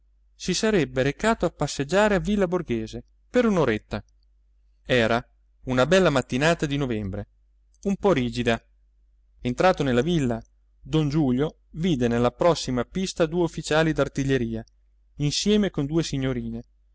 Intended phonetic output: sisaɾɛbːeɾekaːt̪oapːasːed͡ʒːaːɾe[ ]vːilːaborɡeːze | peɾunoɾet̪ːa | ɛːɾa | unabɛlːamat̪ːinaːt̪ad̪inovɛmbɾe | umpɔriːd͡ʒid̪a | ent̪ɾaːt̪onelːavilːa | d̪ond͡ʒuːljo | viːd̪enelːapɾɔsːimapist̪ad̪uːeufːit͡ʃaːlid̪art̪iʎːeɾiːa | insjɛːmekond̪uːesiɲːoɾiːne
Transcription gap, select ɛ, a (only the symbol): a